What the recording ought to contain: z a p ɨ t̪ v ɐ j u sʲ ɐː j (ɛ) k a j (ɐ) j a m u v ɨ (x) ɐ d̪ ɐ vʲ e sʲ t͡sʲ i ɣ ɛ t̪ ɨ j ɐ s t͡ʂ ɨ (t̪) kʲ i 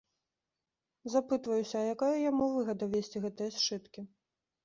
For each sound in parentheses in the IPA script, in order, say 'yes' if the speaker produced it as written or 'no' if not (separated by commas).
no, yes, no, yes